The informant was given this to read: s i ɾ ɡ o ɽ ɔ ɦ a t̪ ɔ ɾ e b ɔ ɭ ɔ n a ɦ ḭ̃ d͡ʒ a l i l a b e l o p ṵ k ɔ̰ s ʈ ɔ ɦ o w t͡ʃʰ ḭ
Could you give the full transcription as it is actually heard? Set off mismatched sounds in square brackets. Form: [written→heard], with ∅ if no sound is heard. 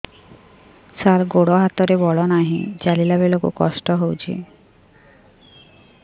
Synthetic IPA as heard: s [i→a] ɾ ɡ o ɽ ɔ ɦ a t̪ ɔ ɾ e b ɔ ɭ ɔ n a ɦ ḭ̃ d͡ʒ a l i l a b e l o [p→k] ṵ k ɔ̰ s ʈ ɔ ɦ o w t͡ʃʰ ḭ